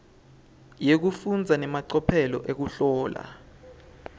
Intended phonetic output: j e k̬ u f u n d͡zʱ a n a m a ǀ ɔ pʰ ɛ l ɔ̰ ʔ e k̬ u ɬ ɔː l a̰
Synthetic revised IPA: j e k̬ u f u n d͡zʱ a n ɛ m a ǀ ɔ pʰ ɛ l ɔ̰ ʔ e k̬ u ɬ ɔː l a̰